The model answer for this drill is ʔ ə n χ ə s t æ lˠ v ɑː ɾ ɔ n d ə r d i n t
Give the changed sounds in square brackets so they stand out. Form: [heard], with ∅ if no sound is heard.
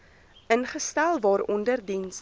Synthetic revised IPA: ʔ ə n χ ə s t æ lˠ v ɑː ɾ ɔ n d ə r d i n [s]

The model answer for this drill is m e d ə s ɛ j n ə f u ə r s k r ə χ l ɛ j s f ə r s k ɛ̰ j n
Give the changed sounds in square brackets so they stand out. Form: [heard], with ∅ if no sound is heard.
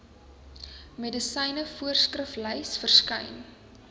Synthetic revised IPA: m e d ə s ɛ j n ə f u ə r s k r ə [f] l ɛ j s f ə r s k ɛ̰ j n

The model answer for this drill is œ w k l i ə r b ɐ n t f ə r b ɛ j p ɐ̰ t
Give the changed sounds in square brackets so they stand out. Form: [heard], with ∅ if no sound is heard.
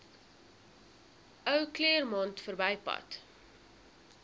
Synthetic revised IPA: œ w k l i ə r [m] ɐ n t f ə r b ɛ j p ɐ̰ t

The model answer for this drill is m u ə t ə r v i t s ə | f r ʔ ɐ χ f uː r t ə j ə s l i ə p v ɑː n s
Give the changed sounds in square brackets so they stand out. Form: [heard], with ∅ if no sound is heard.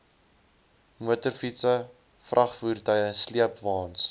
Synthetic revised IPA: m u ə t ə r [f] i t s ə | f r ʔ ɐ χ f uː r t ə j ə s l i ə p v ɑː n s

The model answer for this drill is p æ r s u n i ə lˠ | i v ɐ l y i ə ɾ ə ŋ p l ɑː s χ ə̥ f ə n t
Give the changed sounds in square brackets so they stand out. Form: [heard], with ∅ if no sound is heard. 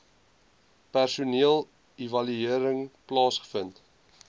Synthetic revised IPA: p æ r s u n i ə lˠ | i v ɐ l y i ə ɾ ə ŋ p l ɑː s χ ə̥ f ə n t

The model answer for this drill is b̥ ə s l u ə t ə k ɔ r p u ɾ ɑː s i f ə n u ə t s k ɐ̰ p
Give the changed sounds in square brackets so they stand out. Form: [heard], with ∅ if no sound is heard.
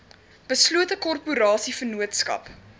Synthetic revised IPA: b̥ ə s l u ə t ə k ɔ r p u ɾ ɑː s i f ə n u ə t s k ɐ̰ p

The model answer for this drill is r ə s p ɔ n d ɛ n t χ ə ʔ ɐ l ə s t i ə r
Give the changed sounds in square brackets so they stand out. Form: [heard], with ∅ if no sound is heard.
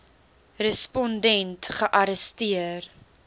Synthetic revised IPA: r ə s p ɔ n d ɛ n t χ ə ʔ ɐ [ɾ] ə s t i ə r

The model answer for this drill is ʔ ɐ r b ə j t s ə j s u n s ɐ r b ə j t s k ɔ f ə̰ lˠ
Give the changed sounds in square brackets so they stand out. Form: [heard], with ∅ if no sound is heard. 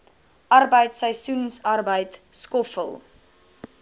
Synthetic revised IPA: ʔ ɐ r b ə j t s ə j s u n s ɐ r b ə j t s k ɔ f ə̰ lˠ

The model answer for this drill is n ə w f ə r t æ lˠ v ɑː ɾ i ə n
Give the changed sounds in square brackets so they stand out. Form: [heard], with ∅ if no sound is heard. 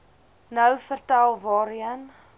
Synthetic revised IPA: n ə w f ə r t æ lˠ v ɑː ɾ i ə n

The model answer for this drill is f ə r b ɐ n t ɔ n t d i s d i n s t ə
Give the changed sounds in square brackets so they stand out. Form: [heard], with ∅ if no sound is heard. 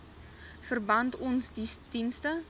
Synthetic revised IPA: f ə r b ɐ n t ɔ n [s] d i s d i n s t ə

